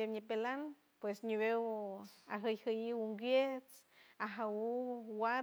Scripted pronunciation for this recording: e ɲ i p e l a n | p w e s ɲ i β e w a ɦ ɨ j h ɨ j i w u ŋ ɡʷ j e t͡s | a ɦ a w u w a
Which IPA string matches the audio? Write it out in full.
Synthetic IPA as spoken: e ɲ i p e l a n | p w e s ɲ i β e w a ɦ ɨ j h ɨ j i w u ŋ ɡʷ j e t͡s | a ɦ a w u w a

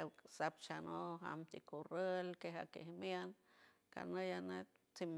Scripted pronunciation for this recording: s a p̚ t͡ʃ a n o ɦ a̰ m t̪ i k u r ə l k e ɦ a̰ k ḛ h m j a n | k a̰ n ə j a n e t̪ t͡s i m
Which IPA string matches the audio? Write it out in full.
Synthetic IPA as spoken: s a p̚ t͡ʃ a n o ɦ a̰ m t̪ i k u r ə l k e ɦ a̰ k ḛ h m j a n | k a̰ n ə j a n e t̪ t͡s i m

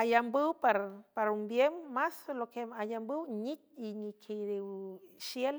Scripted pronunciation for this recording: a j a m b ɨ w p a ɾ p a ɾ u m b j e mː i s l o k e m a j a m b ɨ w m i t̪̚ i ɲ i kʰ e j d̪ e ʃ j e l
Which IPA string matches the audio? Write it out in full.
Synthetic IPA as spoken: a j a m b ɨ w p a ɾ p a ɾ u m b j e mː a s l o k e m a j a m b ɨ w ɲ i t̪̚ i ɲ i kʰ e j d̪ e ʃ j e l

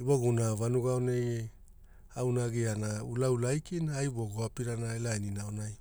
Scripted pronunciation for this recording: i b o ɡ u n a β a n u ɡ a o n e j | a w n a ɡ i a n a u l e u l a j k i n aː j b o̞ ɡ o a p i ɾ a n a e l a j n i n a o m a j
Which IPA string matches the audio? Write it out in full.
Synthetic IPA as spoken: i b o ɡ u n a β a n u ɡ a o n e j | a w n a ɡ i a n a u l a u l a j k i n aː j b o̞ ɡ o a p i ɾ a n a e l a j n i n a o n a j

